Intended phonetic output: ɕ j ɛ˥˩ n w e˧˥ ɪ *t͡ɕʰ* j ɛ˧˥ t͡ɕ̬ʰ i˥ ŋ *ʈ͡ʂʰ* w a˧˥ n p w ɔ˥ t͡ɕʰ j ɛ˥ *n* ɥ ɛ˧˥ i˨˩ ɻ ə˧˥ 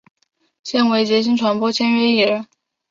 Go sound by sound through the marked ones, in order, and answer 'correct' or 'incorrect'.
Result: incorrect: t͡ɕ, correct, correct

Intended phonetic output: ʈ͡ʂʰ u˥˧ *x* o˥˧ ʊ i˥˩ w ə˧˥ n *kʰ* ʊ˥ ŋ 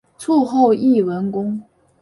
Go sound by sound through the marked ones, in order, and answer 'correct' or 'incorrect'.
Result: correct, incorrect: k

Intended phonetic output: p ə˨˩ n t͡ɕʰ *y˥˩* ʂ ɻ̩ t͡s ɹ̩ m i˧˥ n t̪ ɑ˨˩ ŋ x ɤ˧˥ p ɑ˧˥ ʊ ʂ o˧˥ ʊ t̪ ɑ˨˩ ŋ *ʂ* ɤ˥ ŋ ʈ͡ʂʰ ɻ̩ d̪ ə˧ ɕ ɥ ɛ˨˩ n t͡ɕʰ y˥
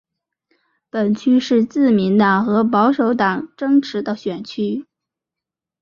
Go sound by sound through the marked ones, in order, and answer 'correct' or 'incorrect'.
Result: incorrect: y˥, incorrect: ʈ͡ʂ

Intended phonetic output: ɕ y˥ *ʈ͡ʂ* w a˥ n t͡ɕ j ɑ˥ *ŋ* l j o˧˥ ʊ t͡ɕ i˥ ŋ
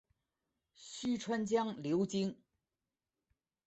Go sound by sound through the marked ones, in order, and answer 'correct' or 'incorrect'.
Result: incorrect: ʈ͡ʂʰ, correct

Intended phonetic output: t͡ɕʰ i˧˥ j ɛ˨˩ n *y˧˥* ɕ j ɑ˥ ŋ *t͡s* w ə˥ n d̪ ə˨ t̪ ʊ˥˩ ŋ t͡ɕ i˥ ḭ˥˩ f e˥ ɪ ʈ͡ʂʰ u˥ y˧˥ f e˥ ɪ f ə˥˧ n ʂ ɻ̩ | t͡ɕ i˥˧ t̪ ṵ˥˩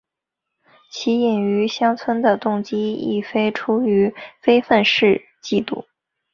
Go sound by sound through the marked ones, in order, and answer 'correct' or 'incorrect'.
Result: correct, incorrect: t͡sʰ

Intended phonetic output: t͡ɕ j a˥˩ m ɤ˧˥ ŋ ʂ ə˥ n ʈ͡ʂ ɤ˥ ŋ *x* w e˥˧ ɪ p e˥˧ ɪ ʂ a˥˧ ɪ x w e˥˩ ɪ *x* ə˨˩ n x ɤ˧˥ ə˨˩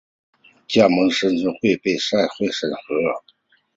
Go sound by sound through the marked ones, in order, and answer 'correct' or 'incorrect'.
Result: correct, incorrect: ʂ

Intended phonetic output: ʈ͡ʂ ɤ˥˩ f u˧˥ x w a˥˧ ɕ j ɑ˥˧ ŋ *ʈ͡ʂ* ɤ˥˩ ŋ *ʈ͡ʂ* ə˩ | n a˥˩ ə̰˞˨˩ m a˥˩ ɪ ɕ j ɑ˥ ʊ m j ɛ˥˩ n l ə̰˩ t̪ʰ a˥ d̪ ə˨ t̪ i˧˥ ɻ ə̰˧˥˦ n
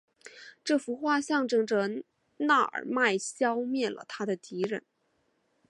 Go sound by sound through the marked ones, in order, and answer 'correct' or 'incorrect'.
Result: correct, correct

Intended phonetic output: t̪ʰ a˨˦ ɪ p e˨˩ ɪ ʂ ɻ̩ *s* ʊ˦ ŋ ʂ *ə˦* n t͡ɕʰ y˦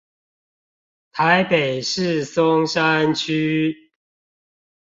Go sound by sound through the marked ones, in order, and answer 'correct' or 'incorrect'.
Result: correct, incorrect: a˦

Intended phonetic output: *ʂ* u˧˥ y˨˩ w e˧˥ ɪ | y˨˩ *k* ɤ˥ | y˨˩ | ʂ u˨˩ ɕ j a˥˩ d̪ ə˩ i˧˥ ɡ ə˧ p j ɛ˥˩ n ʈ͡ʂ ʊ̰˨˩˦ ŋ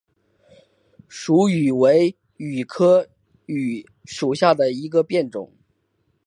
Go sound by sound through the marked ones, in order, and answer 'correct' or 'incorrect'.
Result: correct, incorrect: kʰ

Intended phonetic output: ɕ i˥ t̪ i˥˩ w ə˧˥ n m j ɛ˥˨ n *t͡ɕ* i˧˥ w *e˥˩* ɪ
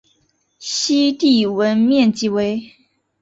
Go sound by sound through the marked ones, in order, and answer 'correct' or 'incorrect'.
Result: correct, incorrect: e˧˥

